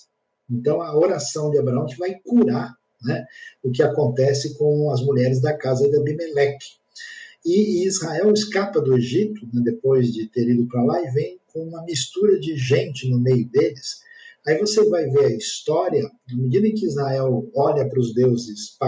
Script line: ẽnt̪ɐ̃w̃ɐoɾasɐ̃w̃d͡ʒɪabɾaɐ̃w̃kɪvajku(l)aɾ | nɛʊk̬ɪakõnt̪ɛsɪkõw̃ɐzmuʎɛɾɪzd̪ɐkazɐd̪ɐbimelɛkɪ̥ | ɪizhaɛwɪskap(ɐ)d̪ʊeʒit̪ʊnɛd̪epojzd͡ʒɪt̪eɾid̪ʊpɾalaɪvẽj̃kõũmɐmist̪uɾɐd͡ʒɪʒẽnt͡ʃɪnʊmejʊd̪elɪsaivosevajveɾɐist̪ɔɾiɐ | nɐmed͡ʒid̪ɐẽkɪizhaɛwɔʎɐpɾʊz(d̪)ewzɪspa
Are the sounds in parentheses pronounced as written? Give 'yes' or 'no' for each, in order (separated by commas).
no, yes, yes